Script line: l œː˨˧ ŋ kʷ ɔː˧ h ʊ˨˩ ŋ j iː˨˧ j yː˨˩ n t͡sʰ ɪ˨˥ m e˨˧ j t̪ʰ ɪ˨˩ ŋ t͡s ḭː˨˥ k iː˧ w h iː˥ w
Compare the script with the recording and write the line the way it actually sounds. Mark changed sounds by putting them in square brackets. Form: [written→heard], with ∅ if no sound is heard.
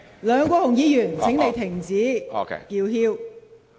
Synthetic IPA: l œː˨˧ ŋ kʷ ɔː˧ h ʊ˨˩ ŋ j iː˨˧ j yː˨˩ n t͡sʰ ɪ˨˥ [m→ŋ] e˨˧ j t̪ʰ ɪ˨˩ ŋ t͡s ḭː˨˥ k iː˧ w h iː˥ w

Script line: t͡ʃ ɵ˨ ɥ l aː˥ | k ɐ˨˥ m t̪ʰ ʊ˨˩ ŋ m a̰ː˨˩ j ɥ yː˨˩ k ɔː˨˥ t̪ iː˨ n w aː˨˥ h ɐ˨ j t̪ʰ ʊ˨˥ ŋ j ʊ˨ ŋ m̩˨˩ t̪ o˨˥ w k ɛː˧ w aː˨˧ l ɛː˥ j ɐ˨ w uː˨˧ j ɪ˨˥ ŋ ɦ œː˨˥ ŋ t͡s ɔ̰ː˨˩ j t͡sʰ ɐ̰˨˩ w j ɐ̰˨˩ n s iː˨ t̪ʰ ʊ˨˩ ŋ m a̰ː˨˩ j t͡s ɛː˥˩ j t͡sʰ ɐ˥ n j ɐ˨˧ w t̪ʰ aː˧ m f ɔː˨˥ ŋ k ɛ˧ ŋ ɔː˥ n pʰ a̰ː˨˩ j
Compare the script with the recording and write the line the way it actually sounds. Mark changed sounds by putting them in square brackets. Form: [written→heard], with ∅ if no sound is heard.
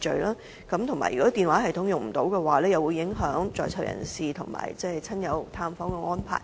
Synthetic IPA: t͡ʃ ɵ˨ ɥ l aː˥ | k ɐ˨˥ m t̪ʰ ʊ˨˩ ŋ m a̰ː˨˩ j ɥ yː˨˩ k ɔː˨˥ t̪ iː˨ n w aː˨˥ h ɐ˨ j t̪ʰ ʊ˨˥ ŋ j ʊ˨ ŋ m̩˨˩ t̪ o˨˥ w k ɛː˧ w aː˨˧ l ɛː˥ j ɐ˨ w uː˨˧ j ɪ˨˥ ŋ ɦ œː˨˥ ŋ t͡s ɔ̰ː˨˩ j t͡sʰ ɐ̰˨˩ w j ɐ̰˨˩ n s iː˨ t̪ʰ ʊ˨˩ ŋ m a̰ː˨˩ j t͡s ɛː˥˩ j t͡sʰ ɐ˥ n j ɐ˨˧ w t̪ʰ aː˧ m f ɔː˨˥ ŋ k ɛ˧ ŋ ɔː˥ n pʰ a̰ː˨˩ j

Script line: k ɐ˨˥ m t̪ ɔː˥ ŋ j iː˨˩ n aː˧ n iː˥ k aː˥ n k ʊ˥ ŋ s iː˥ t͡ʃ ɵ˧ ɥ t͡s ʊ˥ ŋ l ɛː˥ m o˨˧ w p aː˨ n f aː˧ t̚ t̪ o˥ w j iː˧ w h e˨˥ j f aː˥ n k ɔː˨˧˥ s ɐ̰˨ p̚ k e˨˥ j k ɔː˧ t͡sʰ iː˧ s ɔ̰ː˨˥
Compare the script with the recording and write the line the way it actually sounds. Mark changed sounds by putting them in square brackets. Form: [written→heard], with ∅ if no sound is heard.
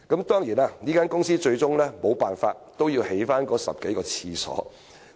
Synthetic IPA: k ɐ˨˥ m t̪ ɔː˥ ŋ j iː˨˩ n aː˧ n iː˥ k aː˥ n k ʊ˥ ŋ s iː˥ t͡ʃ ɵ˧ ɥ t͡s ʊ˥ ŋ l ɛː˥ m o˨˧ w p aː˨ n f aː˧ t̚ t̪ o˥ w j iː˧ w h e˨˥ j f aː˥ n k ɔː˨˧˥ s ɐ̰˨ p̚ k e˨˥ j k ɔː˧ t͡sʰ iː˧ s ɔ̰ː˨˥

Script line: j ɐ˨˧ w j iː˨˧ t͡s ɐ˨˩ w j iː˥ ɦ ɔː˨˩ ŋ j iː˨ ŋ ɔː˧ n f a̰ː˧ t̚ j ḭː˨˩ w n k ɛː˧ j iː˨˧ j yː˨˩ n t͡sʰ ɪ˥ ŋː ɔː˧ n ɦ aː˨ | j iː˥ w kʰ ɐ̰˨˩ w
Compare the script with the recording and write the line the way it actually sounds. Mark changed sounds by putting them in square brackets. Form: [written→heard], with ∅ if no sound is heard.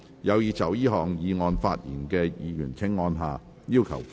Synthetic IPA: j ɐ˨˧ w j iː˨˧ t͡s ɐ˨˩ w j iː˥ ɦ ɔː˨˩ ŋ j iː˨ ŋ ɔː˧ n f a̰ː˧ t̚ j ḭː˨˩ [w→∅] n k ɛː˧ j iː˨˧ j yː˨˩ n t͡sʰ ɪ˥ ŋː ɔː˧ n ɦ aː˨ | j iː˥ w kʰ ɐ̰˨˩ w

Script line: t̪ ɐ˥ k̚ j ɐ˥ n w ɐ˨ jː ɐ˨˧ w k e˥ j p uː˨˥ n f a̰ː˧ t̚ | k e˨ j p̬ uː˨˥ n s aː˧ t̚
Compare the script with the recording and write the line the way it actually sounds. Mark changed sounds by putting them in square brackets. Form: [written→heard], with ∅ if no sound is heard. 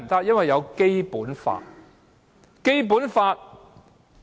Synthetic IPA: t̪ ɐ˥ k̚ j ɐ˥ n w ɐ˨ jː ɐ˨˧ w k e˥ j p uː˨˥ n f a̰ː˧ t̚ | k [e˨→e˥] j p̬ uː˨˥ n [s→f] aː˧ t̚

